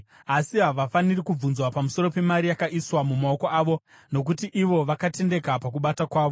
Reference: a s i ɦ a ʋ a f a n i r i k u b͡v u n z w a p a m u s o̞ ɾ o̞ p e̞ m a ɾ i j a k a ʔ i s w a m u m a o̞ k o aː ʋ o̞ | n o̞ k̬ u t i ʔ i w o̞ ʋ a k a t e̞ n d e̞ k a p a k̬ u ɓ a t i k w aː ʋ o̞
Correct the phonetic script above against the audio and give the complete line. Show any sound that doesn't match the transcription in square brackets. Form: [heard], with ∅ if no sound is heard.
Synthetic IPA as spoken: a s i ɦ a ʋ a f a n i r i k u b͡v u n z w a p a m u s o̞ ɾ o̞ p e̞ m a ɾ i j a k a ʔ i s w a m u m a o̞ k o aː ʋ o̞ | n o̞ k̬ u t i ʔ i [ʋ] o̞ ʋ a k a t e̞ n d e̞ k a p a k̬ u ɓ a t [a] k w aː ʋ o̞